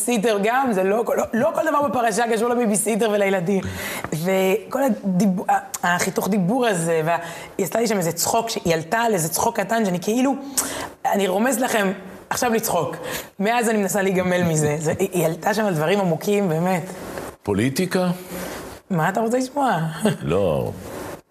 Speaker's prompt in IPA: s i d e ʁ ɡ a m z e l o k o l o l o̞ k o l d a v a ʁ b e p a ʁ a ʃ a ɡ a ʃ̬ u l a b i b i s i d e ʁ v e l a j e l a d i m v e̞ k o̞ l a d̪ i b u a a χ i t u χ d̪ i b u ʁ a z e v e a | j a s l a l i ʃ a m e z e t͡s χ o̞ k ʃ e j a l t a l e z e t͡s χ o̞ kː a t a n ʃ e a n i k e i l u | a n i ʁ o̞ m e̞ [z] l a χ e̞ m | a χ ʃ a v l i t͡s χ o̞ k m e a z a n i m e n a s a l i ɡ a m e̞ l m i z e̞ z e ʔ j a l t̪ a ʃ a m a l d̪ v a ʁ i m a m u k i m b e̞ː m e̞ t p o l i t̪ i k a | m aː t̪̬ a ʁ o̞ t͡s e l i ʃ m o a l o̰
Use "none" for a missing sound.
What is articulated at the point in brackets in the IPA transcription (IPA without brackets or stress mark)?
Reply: z